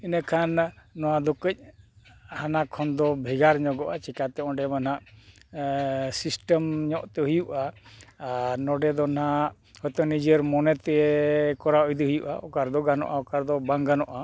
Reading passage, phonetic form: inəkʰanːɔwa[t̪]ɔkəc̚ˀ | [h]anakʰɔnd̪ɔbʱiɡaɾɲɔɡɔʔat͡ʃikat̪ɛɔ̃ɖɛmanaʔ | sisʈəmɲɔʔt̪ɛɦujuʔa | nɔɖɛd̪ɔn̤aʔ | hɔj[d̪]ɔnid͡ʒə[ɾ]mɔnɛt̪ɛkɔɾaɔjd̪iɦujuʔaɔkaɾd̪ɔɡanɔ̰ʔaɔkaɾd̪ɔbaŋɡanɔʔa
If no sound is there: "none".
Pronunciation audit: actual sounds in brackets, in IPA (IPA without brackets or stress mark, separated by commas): d̪, h, t̪, ɾ